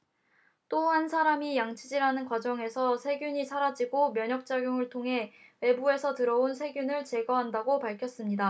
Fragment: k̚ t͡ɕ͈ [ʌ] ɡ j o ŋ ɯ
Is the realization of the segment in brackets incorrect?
yes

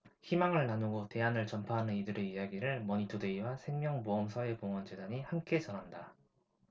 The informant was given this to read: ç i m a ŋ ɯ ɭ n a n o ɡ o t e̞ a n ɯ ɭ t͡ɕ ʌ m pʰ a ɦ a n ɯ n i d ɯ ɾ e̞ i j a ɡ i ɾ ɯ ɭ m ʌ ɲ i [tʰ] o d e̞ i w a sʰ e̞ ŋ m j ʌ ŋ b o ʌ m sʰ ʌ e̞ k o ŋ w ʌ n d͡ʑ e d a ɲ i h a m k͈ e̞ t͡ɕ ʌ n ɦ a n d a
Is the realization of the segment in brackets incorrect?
no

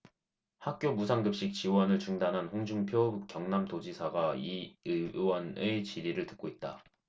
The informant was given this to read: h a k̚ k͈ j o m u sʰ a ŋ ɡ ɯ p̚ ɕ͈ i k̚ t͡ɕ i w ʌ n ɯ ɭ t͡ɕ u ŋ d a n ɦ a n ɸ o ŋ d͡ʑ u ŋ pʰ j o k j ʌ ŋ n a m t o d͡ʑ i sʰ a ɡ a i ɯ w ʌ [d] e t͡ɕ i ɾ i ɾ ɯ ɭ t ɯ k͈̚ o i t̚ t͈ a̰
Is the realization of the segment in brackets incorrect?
yes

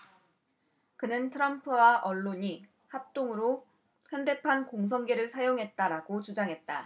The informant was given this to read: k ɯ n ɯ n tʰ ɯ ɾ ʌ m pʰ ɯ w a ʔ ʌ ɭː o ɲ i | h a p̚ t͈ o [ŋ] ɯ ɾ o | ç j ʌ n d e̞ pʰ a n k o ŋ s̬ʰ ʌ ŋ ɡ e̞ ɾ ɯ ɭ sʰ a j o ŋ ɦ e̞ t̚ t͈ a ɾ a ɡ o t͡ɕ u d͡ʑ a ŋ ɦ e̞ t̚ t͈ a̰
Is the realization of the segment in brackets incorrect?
no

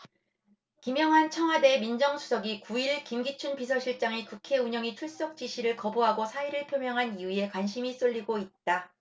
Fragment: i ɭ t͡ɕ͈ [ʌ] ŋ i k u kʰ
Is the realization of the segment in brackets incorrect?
yes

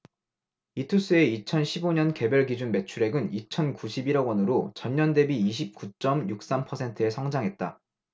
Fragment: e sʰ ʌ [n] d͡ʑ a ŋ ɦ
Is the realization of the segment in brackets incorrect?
yes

